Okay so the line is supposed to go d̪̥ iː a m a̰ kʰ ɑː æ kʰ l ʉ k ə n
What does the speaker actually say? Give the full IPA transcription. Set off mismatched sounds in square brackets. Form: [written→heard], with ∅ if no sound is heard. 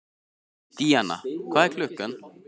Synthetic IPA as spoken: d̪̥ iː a [m→n] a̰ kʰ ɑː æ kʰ l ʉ k ə n